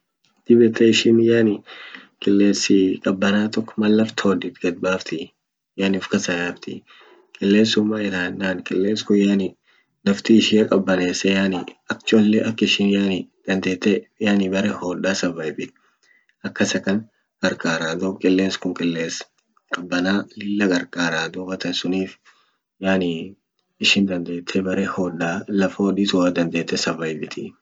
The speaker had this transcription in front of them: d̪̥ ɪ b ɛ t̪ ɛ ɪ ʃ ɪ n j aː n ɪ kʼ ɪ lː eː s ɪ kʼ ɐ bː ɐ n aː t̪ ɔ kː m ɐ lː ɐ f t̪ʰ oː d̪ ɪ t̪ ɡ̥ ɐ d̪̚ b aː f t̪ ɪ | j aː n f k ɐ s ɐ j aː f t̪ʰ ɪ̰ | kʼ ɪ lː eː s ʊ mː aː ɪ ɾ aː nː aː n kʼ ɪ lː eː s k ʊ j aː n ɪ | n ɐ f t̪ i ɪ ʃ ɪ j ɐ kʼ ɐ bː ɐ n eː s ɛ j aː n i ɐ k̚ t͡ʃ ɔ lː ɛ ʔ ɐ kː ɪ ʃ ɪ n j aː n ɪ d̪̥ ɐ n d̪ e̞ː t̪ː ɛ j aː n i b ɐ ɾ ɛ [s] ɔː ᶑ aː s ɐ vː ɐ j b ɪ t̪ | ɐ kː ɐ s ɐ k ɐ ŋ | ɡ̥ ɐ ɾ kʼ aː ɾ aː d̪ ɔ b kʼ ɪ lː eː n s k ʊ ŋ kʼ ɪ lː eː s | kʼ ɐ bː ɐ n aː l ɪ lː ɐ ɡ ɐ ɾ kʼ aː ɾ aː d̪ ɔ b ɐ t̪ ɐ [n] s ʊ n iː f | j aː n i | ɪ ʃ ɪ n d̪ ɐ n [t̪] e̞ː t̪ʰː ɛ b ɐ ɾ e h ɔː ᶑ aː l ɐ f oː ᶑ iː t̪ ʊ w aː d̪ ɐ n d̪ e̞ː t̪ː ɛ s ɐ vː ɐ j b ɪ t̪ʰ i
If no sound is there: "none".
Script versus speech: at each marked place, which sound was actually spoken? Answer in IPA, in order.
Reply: h, n, d̪

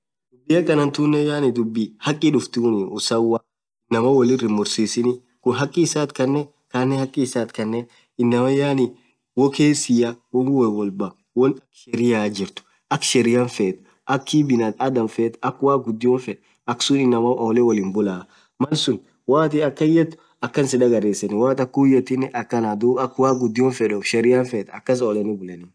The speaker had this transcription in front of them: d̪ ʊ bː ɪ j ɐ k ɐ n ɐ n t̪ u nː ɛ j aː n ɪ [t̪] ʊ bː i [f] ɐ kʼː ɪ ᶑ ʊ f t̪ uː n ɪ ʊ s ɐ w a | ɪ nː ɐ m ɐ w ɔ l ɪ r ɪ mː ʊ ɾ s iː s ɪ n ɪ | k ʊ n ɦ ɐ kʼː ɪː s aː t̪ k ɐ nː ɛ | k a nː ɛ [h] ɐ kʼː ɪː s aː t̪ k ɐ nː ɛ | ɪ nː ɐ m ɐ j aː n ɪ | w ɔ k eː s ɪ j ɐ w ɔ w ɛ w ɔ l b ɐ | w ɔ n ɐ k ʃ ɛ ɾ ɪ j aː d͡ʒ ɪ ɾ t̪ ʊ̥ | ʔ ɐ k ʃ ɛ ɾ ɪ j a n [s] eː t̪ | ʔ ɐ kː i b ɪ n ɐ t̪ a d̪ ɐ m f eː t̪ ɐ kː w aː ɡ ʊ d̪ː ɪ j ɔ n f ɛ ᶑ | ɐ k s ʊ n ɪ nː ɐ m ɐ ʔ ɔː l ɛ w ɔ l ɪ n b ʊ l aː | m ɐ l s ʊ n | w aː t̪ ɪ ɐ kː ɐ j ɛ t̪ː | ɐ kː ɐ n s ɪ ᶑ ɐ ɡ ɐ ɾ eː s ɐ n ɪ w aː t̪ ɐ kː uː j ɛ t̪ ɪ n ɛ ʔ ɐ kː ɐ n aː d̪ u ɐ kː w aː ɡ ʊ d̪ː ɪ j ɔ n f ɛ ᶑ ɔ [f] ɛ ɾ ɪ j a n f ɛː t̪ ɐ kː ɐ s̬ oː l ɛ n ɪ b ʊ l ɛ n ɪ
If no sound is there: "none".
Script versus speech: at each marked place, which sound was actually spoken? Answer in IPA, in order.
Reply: d̪, h, h, f, ʃ

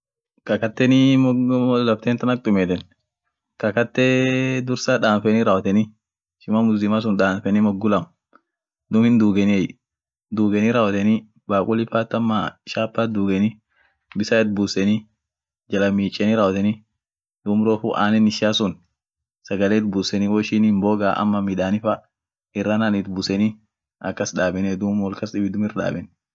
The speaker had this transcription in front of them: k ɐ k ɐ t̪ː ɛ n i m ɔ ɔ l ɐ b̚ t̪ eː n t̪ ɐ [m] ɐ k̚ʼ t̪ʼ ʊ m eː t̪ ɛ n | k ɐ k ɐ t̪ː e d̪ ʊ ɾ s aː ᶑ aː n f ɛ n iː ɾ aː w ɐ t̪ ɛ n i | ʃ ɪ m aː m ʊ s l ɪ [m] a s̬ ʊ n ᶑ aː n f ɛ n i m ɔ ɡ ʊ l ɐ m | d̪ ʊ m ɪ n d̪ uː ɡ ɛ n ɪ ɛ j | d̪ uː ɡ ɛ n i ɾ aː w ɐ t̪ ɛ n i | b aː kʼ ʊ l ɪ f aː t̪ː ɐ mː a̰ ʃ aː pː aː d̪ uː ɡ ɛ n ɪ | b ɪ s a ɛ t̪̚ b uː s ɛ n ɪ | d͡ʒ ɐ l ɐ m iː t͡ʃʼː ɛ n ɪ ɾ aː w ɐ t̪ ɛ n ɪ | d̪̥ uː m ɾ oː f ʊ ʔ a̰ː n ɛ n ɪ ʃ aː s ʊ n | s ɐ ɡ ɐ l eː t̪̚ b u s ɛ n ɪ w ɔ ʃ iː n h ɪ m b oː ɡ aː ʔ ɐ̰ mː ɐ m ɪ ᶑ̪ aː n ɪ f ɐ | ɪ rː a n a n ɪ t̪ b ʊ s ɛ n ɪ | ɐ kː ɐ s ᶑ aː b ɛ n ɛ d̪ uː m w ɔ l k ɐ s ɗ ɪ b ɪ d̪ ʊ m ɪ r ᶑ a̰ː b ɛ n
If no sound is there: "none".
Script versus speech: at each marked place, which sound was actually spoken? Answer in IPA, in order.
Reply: n, m

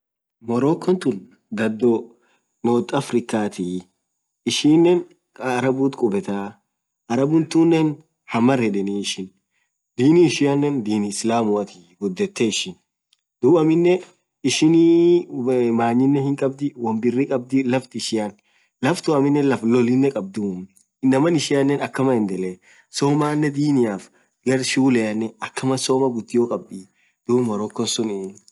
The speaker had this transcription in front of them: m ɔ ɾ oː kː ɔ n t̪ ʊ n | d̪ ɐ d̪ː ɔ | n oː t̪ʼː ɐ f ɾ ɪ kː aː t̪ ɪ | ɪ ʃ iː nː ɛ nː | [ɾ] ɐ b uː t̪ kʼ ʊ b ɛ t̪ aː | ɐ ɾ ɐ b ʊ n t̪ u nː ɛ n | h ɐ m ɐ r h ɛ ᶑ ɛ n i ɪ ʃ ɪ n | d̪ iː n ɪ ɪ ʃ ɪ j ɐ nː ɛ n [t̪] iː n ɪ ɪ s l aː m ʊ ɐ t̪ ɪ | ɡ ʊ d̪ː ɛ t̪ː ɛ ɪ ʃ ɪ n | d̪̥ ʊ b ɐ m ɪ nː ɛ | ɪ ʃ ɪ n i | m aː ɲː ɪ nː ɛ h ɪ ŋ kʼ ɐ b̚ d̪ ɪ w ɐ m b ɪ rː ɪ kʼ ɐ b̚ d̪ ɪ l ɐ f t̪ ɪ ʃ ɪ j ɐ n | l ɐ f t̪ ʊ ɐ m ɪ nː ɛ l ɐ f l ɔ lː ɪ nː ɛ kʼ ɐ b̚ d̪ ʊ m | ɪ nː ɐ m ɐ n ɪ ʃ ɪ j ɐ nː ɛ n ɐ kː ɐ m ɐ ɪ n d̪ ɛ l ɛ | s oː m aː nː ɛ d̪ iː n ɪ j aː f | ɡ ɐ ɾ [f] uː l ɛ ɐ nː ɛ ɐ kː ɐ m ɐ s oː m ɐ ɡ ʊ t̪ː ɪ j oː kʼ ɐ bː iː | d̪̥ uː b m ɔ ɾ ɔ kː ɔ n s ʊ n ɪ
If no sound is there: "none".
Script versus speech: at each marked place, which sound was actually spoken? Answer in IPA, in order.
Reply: ɾ, d̪, ʃ

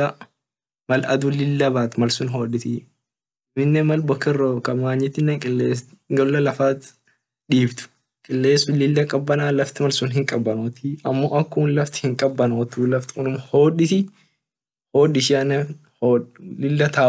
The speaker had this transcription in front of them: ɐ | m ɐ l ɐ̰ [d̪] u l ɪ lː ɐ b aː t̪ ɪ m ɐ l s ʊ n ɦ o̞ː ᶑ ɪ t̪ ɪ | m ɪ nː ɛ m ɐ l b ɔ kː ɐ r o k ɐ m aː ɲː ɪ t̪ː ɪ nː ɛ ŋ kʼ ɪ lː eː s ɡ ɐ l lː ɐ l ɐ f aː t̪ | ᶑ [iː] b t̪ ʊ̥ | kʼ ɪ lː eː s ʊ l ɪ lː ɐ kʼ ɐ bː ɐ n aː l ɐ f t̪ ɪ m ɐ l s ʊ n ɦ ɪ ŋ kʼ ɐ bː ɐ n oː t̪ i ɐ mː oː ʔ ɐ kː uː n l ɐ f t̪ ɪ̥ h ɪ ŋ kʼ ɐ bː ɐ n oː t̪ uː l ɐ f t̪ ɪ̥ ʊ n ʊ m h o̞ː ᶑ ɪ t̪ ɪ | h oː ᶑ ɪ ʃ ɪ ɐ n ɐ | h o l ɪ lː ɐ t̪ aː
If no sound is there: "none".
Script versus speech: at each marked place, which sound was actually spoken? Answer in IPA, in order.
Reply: d̪, iː

